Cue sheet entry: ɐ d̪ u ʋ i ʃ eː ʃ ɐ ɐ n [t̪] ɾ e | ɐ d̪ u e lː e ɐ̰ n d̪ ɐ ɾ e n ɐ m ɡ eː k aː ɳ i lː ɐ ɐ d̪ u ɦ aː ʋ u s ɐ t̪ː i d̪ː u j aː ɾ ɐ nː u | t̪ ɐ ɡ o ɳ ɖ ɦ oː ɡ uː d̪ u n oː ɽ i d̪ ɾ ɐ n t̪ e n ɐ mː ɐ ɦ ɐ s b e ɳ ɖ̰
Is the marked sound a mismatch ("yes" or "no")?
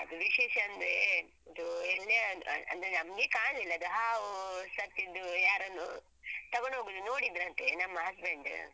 yes